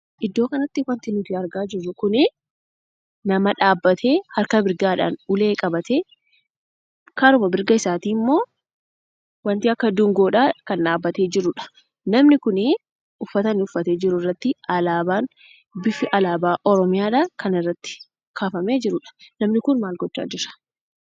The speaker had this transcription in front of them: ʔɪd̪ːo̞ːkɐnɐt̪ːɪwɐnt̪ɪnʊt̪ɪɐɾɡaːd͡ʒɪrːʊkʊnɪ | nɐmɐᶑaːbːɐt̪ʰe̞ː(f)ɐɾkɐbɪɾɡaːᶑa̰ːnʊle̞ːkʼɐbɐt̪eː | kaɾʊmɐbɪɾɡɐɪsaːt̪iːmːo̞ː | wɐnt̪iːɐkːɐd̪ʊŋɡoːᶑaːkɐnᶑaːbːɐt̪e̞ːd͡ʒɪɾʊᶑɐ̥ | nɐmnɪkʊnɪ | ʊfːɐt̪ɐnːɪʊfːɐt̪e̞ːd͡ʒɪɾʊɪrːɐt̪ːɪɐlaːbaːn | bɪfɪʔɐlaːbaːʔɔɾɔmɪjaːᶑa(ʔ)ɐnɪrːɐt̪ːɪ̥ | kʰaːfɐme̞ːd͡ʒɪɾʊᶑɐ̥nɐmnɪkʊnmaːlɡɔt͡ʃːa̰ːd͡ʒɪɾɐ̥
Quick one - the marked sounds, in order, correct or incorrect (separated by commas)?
incorrect, incorrect